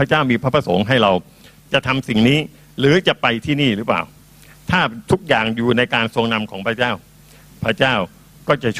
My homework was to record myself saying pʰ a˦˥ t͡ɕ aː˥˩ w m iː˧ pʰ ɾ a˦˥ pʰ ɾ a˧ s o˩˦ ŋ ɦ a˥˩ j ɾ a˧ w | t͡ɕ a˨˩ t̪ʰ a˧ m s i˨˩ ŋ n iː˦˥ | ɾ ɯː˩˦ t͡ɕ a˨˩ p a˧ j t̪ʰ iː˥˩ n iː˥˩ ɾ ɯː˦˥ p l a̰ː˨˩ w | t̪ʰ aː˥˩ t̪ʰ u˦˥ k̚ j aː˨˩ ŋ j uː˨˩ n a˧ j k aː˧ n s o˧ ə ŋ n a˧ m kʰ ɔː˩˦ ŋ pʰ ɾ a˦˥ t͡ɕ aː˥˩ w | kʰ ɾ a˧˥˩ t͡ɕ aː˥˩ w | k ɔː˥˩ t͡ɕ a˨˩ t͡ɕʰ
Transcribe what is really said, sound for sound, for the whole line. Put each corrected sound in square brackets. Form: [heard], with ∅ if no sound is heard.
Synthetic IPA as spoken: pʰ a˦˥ t͡ɕ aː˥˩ w m iː˧ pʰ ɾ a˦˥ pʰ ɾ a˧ s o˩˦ ŋ ɦ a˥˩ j ɾ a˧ w | t͡ɕ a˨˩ t̪ʰ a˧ m s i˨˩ ŋ n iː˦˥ | ɾ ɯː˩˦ t͡ɕ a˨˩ p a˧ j t̪ʰ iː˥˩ n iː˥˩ ɾ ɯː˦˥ p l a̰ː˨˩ w | t̪ʰ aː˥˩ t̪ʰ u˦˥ k̚ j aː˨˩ ŋ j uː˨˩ n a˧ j k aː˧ n s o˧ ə ŋ n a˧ m kʰ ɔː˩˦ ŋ pʰ ɾ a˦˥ t͡ɕ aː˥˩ w | [pʰ] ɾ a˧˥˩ t͡ɕ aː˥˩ w | k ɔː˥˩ t͡ɕ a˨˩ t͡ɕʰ